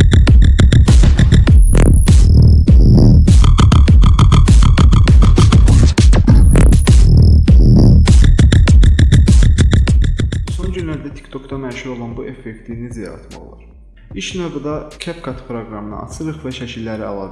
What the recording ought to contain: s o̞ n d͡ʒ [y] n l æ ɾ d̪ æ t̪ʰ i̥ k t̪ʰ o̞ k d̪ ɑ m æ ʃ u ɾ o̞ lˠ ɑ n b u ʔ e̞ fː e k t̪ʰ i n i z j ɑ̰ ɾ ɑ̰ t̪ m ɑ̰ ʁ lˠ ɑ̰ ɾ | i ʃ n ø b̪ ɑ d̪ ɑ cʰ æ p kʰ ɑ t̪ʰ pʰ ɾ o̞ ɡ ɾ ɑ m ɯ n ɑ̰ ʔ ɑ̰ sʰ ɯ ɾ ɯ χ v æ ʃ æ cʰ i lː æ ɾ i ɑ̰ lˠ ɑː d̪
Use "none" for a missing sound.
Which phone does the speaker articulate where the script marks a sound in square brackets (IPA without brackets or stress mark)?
y